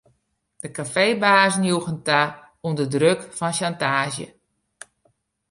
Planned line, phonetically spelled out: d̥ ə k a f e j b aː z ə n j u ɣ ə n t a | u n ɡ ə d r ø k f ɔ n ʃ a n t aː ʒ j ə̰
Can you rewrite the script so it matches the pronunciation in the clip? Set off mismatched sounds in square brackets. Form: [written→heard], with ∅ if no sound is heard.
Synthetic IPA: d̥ ə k a f e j b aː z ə n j u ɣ ə n t a | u n [ɡ→d] ə d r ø k f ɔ n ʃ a n t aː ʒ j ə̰